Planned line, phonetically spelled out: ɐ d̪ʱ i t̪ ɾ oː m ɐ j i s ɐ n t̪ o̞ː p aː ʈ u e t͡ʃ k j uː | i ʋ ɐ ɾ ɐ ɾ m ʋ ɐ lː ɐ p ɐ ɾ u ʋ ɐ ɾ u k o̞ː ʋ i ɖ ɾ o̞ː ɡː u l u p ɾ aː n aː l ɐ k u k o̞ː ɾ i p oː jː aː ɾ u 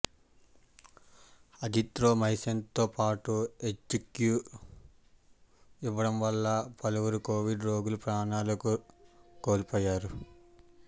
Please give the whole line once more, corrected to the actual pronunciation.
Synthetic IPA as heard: ɐ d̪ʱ i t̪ ɾ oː m ɐ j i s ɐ n t̪ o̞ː p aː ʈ u e t͡ʃ k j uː | i ʋ ɐ ɽ ɐ m ʋ ɐ lː ɐ p ɐ l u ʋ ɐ ɾ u k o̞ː ʋ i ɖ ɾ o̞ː ɡ u l u p ɾ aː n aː l ɐ k u k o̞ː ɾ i p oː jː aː ɾ u

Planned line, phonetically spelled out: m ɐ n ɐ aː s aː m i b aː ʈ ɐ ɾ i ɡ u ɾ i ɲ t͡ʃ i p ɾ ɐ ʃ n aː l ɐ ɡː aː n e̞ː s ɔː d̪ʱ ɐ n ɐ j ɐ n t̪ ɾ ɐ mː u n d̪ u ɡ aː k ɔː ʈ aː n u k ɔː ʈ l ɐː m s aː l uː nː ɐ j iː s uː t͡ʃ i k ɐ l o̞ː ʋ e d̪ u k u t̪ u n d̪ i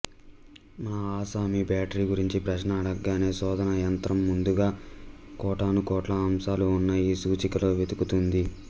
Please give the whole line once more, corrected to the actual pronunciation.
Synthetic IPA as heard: m ɐ n ɐ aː s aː m i b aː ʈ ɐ ɾ i ɡ u ɾ i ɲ t͡ʃ i p ɾ ɐ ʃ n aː ɽ ɐ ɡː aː n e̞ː s ɔː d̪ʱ ɐ n ɐ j ɐ n t̪ ɾ ɐ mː u n d̪ u ɡ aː k ɔː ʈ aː n u k ɔː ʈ l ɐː m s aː l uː nː ɐ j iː s uː t͡ʃ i k ɐ l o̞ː ʋ e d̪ u k u t̪ u n d̪ i

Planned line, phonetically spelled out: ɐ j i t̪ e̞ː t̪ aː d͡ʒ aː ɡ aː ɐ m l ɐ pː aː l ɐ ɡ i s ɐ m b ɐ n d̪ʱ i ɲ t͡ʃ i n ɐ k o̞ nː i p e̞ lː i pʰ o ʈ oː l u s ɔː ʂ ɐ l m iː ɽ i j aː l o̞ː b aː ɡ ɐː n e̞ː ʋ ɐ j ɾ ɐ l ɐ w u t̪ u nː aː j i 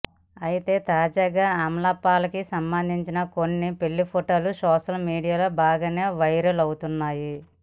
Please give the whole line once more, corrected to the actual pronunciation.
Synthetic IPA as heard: ɐ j i t̪ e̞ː t̪ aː d͡ʒ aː ɡ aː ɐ m l ɐ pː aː l ɐ k i s ɐ m b ɐ n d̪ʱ i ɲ t͡ʃ i n ɐ k o̞ nː i p e̞ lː i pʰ o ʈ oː l u s ɔː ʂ ɐ l m iː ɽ i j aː l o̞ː b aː ɡ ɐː n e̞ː ʋ ɐ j ɾ ɐ l ɐ w u t̪ u nː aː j i

